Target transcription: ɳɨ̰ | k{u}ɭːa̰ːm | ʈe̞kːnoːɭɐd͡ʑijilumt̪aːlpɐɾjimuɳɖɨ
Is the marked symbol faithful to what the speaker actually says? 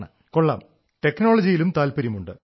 no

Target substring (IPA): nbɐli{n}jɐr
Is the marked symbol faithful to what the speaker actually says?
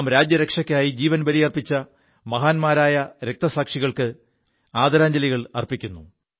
no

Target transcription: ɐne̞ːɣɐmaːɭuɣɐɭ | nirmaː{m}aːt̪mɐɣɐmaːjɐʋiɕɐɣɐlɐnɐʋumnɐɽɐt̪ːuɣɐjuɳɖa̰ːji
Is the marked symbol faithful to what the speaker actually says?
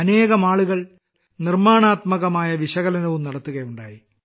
no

